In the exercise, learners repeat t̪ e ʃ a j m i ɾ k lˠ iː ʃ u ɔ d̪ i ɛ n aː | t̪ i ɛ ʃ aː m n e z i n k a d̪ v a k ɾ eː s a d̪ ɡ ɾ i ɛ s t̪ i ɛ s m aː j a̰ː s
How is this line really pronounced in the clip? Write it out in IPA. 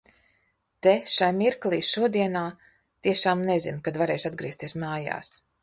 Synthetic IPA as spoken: t̪ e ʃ a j m i ɾ k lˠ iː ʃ u ɔ d̪ i ɛ n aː | t̪ i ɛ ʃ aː m n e z i n k a d̪ v a ɾ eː ʃ a d̪ ɡ ɾ i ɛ s t̪ i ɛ s m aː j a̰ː s